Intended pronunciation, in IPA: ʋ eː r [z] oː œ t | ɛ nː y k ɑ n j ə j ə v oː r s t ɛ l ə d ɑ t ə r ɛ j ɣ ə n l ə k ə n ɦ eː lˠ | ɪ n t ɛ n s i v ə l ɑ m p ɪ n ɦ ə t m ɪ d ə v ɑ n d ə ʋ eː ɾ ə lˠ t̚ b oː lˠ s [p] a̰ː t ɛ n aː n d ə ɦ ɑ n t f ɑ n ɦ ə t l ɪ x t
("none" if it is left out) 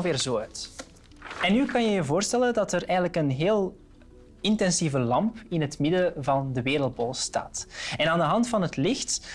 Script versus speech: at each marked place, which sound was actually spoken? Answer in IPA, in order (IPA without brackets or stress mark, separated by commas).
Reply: z, t